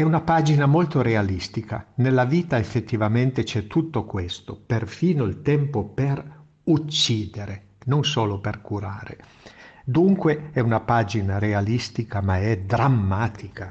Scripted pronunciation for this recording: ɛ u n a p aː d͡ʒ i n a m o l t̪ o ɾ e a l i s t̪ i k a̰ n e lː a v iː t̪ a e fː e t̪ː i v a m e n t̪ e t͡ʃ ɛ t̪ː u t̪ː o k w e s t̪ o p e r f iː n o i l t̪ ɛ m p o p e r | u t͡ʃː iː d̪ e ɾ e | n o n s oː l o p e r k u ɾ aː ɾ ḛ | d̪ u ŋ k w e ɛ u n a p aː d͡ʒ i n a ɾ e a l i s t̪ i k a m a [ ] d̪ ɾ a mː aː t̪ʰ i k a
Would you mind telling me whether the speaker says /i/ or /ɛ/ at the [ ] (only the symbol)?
ɛ